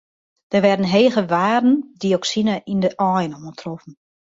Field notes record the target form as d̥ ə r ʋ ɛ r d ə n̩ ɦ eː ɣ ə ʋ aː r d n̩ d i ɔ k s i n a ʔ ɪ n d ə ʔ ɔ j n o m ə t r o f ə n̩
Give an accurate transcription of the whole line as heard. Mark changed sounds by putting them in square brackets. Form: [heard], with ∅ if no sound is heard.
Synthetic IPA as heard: d̥ ə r ʋ ɛ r d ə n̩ ɦ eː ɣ ə ʋ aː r d n̩ d i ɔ k s i n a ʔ [i] n d ə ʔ ɔ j n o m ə t r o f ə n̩